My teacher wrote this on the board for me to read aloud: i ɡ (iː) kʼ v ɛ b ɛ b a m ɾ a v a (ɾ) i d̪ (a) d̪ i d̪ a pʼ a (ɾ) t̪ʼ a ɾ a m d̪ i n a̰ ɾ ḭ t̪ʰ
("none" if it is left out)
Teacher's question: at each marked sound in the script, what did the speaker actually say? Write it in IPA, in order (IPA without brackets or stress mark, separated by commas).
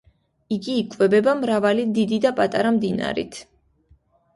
iː, l, i, none